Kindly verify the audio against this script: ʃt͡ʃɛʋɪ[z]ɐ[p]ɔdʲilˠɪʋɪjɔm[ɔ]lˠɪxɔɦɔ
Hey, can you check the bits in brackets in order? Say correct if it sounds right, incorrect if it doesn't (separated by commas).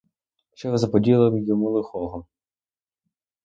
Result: correct, correct, incorrect